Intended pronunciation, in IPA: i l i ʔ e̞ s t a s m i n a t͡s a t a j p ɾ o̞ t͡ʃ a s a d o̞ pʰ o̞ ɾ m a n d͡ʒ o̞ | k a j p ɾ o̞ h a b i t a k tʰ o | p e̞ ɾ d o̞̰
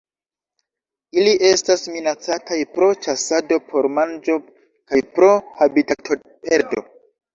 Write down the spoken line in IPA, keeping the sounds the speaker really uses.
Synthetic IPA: i l i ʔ e̞ s t a s m i n a t͡s a t a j p ɾ o̞ t͡ʃ a s a d o̞ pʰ o̞ ɾ m a n d͡ʒ o̞ | k a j p ɾ o̞ h a b i t a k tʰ o | p e̞ ɾ d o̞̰

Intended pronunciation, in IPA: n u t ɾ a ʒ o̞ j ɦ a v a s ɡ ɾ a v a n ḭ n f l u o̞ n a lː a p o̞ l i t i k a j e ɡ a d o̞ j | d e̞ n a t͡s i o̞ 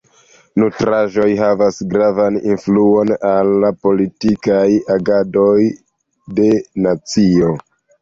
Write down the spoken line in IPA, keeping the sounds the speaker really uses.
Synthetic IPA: n u t ɾ a ʒ o̞ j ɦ a v a s ɡ ɾ a v a n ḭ n f l u o̞ n a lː a p o̞ l i t i k a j a ɡ a d o̞ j | d e̞ n a t͡s i o̞

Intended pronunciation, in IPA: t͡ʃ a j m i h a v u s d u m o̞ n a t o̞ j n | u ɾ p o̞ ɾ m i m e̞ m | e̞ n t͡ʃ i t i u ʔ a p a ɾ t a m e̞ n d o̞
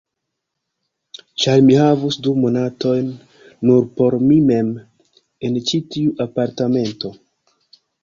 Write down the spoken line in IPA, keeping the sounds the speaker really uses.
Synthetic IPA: t͡ʃ a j m i h a v u s d u m o̞ n a t o̞ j nː | u ɾ p o̞ ɾ m i m e̞ m | e̞ n t͡ʃ i t i u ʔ a p a ɾ t a m e̞ n t o̞

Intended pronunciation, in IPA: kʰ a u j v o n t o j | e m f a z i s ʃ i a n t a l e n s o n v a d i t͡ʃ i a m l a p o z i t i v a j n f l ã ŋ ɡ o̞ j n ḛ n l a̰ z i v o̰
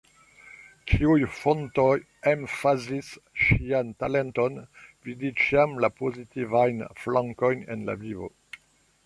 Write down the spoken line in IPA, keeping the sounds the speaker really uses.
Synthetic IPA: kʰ i u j f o n t o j | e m f a z i s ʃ i a n t a l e n t o n v i d i t͡ʃ i a m l a p o z i t i v a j n f l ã ŋ k o̞ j n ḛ n l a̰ v i v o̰

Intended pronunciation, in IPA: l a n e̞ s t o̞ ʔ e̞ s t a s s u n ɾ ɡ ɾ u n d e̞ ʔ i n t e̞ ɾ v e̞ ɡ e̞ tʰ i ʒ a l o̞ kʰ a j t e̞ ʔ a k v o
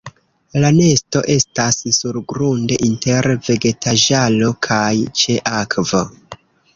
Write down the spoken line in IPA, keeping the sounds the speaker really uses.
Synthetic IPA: l a n e̞ s t o̞ ʔ e̞ s t a s s u ɾ ɡ ɾ u n d e̞ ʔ i n t e̞ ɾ v e̞ ɡ e̞ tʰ a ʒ a l o̞ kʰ a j t͡ʃ e̞ ʔ a k v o

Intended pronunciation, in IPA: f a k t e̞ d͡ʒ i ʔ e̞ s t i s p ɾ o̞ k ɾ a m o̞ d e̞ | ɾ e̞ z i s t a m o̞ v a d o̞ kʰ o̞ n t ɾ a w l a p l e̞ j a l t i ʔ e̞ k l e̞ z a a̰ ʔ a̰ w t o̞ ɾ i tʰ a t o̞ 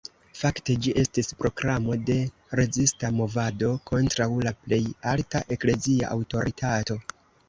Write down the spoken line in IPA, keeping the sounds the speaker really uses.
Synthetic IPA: f a k t e̞ d͡ʒ i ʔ e̞ s t i s p ɾ o̞ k ɾ a m o̞ d e̞ | ɾ e̞ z i s t a m o̞ v a d o̞ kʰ o̞ n t ɾ a w l a p l e̞ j a l t a ʔ e̞ k l e̞ z i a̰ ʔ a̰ w t o̞ ɾ i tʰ a t o̞

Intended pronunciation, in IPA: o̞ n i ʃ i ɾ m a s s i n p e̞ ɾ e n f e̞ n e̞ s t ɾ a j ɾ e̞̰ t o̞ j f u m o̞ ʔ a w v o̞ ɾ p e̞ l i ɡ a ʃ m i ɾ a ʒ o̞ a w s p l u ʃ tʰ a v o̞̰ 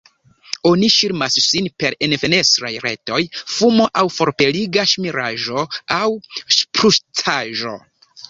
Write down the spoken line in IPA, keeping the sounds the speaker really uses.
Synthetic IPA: o̞ n i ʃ i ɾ m a s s i n p e̞ ɾ e n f e̞ n e̞ s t ɾ a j ɾ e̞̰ t o̞ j f u m o̞ ʔ a w f o̞ ɾ p e̞ l i ɡ a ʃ m i ɾ a ʒ o̞ a w s p ɾ u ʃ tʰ a ʒ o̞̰

